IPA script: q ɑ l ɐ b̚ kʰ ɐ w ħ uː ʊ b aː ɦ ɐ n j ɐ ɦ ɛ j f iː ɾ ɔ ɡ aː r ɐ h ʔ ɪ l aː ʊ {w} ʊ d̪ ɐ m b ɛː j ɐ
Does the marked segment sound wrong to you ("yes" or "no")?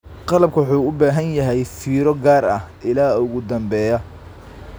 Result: yes